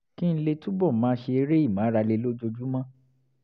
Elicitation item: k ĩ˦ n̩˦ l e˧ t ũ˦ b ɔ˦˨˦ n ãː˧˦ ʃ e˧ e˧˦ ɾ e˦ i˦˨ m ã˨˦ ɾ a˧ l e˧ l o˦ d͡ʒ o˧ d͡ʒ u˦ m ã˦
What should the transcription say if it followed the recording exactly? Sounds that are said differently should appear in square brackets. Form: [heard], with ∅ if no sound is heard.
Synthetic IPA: k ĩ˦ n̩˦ l e˧ t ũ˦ b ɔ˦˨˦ [m] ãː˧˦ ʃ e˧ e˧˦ ɾ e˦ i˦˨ m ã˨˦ ɾ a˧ l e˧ l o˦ d͡ʒ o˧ d͡ʒ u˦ m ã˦

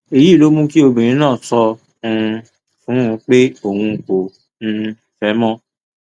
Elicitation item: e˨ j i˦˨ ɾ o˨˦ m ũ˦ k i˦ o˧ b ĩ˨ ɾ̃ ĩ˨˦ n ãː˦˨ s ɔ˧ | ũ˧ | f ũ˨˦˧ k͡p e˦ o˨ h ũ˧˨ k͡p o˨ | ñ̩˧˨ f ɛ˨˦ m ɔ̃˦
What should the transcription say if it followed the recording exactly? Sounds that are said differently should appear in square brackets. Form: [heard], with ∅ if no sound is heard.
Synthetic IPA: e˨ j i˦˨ [l] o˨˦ m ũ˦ k i˦ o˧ b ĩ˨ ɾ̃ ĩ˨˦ n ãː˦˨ s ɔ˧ | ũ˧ | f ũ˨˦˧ k͡p e˦ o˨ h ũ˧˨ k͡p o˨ | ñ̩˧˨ f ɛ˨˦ m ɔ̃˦

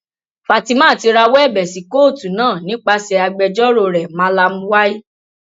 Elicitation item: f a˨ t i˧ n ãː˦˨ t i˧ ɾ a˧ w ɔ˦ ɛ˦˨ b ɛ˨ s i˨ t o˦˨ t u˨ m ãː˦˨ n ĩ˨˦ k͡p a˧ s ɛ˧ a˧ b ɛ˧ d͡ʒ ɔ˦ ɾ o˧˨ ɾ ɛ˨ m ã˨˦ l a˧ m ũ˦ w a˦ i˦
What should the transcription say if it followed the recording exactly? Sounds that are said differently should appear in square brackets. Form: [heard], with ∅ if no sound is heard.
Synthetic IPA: f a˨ t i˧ [m] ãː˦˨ t i˧ ɾ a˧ w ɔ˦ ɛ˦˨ b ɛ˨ s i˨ [k] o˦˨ t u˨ [n] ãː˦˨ n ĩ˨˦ k͡p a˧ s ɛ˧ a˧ [ɡ͡b] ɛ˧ d͡ʒ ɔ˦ ɾ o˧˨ ɾ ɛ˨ m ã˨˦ l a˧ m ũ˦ w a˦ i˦

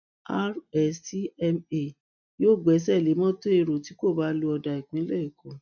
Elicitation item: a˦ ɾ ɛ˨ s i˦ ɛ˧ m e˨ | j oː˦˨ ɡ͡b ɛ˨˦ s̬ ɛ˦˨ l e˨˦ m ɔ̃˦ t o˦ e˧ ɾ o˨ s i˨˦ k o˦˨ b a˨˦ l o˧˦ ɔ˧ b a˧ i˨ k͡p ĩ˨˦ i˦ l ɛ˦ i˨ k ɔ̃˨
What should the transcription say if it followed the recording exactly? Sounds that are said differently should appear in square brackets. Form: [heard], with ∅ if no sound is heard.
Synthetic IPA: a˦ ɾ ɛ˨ s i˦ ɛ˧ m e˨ | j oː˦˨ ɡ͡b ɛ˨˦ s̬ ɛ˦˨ l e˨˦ m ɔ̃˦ t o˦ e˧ ɾ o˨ [t] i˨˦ k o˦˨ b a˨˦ l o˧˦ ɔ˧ [d] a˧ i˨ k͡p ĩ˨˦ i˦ l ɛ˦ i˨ k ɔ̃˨

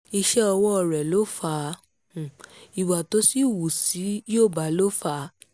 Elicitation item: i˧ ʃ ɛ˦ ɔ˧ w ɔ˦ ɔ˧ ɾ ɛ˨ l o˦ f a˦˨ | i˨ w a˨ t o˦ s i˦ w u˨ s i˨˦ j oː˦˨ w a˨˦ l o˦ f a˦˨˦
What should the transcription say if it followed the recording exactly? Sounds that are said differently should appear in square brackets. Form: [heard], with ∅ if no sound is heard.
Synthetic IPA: i˧ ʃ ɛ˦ ɔ˧ w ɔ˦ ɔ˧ ɾ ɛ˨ l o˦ f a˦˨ | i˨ w a˨ t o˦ s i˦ w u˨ s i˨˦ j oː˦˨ [b] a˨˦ l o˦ f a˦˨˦

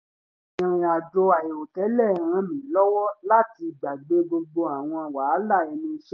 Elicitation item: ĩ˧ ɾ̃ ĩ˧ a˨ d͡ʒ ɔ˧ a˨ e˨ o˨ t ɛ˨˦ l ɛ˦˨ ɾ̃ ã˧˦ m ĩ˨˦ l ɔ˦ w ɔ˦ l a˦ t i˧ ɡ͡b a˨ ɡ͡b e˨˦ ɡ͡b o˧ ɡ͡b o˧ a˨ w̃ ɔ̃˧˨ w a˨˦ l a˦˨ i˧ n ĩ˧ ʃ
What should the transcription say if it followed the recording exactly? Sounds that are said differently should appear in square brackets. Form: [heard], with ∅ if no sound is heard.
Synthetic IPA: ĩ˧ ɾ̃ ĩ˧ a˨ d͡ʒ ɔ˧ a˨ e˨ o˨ t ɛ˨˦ l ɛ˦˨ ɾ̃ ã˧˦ m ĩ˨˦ l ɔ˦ w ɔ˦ l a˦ t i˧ ɡ͡b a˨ ɡ͡b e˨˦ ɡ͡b o˧ ɡ͡b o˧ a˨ w̃ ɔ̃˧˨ w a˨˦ l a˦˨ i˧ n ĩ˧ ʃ

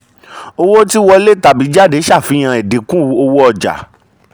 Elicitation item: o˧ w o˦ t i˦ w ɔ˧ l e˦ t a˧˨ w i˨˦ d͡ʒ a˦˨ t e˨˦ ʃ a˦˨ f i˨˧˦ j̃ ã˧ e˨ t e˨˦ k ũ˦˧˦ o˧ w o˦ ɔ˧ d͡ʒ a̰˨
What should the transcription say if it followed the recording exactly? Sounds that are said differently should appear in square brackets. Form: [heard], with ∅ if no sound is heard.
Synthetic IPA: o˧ w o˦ t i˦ w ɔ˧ l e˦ t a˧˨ [b] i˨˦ d͡ʒ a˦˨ [d] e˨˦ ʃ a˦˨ f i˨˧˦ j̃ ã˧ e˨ [d] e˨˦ k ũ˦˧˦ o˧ w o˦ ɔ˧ d͡ʒ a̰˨

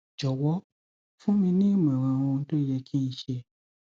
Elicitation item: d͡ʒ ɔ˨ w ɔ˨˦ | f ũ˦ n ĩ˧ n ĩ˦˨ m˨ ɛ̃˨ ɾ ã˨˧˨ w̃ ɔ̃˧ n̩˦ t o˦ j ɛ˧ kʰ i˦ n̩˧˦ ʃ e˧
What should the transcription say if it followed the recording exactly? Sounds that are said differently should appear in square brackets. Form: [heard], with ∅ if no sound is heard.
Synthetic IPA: d͡ʒ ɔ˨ w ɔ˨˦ | f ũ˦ [m] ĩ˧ n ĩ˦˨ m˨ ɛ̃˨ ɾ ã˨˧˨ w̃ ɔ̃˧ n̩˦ t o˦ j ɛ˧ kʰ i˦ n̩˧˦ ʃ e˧

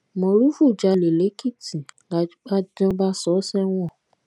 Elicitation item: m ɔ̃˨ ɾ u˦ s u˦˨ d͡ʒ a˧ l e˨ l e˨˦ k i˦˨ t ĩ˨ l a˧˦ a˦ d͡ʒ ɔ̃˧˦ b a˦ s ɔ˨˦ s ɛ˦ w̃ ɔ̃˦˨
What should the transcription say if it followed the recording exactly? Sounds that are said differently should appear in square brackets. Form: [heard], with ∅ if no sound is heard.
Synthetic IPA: m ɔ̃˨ ɾ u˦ [f] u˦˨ d͡ʒ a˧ l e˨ l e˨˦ k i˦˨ t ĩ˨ l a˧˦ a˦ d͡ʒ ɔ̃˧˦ b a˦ s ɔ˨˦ s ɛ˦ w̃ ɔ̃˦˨

